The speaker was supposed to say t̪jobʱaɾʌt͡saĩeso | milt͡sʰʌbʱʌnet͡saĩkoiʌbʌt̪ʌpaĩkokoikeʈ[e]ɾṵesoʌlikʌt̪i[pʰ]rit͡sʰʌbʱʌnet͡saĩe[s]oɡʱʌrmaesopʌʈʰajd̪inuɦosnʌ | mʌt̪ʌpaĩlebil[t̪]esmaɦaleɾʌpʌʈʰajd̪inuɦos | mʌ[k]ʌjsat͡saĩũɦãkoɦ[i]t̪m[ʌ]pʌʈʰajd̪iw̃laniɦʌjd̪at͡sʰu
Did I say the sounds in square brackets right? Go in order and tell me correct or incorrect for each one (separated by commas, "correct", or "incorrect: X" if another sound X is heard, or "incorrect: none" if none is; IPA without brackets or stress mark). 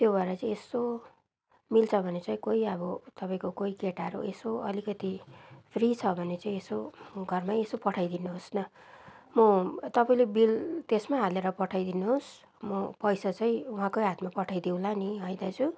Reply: incorrect: a, correct, correct, correct, incorrect: p, incorrect: a, incorrect: a